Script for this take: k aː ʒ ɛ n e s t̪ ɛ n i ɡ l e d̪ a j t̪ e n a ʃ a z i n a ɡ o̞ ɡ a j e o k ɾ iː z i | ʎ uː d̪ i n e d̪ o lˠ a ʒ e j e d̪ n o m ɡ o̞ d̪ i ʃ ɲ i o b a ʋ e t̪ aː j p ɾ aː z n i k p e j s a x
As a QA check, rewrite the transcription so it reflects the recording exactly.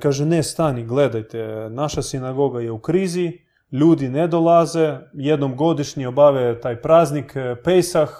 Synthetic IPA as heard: k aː ʒ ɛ n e s t̪ a n i ɡ l e d̪ a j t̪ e n a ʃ a s i n a ɡ o̞ ɡ a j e u k ɾ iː z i | ʎ uː d̪ i n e d̪ o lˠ a z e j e d̪ n o m ɡ o̞ d̪ i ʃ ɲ i o b a ʋ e t̪ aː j p ɾ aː z n i k p e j s a x